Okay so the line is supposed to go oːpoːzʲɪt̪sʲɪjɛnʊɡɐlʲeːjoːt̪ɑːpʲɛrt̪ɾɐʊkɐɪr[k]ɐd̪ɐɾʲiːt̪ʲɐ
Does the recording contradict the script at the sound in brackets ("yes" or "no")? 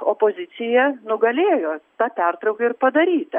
yes